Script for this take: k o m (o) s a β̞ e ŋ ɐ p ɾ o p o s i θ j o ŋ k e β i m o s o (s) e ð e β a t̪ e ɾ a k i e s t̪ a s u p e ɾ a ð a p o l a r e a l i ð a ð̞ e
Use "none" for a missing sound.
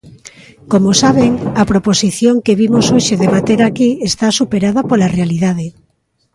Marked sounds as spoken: o, ʃ

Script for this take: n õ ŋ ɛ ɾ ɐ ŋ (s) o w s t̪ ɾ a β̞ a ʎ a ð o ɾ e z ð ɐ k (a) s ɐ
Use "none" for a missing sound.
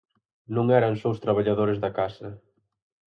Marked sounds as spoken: s, a

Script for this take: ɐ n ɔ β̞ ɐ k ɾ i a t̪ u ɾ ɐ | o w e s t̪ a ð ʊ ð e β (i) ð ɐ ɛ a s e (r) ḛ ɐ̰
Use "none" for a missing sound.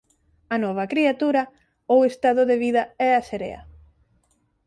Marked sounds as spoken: i, ɾ

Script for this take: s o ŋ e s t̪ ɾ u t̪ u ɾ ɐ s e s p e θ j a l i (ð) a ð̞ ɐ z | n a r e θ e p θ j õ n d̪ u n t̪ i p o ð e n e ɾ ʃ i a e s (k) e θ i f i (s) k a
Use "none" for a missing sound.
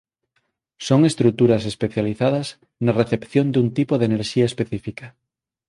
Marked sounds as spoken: θ, p, none

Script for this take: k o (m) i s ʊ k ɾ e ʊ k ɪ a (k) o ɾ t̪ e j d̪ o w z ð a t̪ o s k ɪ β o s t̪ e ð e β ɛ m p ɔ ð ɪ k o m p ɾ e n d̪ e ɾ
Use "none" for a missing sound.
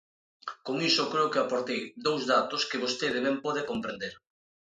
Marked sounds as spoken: ŋ, p

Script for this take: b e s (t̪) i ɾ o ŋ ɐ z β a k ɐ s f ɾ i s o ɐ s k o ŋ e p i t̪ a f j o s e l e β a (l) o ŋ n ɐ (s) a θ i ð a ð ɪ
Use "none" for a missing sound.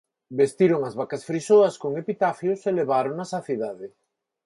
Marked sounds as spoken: t̪, ɾ, s

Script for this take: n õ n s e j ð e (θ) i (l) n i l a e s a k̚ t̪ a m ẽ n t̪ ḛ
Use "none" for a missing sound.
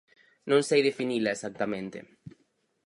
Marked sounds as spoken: f, none

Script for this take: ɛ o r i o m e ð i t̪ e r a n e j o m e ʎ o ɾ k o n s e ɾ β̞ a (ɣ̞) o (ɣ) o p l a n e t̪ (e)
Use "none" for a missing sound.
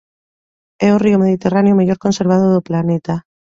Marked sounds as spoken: ð̞, ð, a

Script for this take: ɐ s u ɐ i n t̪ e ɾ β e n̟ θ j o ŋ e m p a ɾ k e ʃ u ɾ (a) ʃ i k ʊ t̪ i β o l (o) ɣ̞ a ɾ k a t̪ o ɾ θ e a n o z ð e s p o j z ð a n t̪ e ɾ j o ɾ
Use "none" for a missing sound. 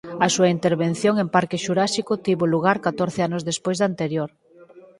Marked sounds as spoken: a, u

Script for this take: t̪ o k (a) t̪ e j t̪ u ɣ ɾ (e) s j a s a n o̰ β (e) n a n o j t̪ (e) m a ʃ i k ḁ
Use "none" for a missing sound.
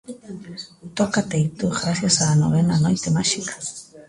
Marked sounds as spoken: a, a, e, e

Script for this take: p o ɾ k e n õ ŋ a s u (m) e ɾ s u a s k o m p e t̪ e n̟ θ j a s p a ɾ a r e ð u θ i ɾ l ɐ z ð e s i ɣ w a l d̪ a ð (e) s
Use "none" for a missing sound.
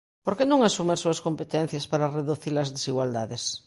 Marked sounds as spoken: m, e

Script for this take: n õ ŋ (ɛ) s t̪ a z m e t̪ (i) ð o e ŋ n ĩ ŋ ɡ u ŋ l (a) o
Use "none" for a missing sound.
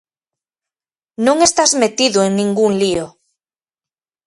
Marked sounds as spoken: e, i, i

